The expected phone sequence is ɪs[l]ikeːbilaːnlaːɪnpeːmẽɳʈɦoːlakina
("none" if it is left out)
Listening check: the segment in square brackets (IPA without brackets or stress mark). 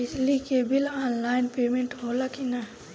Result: l